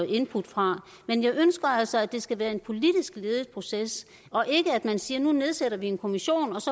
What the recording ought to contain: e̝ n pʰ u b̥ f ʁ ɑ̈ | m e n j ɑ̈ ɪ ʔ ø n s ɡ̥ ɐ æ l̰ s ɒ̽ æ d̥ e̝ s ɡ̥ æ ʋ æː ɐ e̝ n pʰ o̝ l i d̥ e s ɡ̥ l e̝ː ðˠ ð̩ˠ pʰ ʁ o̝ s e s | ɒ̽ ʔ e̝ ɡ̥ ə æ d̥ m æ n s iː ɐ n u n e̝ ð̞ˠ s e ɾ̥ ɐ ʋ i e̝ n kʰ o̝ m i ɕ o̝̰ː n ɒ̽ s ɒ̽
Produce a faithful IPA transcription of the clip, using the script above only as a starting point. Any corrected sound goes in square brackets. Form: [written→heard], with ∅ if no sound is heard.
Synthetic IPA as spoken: e̝ n pʰ u [b̥→d̥] f ʁ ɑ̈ | m e n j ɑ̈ ɪ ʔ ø n s ɡ̥ ɐ æ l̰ s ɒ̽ æ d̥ e̝ s ɡ̥ æ ʋ æː ɐ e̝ n pʰ o̝ l i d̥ [e→i] s ɡ̥ l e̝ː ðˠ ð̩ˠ pʰ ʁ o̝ s e s | ɒ̽ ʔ e̝ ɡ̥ ə æ d̥ m æ n s iː ɐ n u n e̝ ð̞ˠ s e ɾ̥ ɐ ʋ i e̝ n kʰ o̝ m i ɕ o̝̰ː n ɒ̽ s ɒ̽